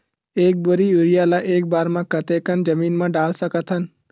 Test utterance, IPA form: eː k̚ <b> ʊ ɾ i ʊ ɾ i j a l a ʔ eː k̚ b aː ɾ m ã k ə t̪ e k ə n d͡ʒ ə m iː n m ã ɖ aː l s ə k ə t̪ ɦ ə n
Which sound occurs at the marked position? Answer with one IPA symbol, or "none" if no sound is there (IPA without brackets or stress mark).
b